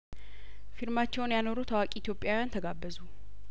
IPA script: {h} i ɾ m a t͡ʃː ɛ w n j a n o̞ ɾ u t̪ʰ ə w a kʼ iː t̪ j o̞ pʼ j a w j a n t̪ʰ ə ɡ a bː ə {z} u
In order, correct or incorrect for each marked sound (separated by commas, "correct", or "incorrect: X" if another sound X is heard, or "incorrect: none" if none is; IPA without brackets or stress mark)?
incorrect: f, correct